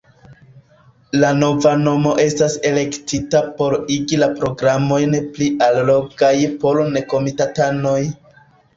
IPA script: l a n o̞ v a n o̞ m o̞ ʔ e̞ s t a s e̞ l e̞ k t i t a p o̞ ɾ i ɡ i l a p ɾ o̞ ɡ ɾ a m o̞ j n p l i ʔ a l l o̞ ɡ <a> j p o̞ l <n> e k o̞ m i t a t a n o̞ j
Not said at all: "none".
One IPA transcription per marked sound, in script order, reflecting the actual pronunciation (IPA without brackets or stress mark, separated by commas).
a, n